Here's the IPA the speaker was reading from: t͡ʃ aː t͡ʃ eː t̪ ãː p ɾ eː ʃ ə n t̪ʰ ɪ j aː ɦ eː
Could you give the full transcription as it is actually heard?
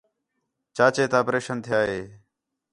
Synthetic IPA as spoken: t͡ʃ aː t͡ʃ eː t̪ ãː p ɾ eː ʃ ə n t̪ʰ ɪ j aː ɦ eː